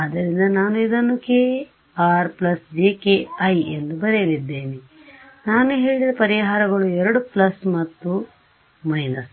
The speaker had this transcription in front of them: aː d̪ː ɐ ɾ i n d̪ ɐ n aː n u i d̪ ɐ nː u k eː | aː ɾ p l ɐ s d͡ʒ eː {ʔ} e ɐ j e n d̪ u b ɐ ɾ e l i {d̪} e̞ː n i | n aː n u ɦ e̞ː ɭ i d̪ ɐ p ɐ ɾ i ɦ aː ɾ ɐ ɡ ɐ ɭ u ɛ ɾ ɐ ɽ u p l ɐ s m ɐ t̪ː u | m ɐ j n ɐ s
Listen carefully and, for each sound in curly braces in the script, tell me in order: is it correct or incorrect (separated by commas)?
incorrect, incorrect